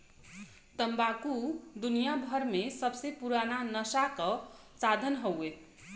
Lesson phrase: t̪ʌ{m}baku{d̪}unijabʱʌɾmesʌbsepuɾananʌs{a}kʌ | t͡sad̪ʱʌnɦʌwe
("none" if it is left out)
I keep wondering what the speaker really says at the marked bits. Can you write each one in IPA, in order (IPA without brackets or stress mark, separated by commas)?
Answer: m, d̪, a